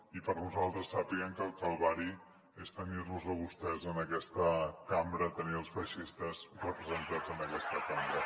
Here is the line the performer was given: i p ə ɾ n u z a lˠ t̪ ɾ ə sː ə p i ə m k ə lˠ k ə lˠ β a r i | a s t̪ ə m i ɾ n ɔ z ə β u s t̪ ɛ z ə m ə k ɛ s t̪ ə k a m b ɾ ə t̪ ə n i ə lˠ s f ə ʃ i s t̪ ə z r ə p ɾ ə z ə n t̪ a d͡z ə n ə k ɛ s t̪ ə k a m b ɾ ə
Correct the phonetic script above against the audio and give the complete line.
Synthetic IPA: i p ə ɾ n u z a lˠ t̪ ɾ ə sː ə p i ə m k ə lˠ k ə lˠ β a ɾ i | e s t̪ ə n i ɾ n u z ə β u s t̪ ɛ z ə n ə k ɛ s t̪ ə k a m b ɾ ə t̪ ə n i ə lˠ s f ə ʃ i s t̪ ə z r ə p ɾ ə z ə n t̪ a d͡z ə n ə k ɛ s t̪ ə k a m b ɾ ə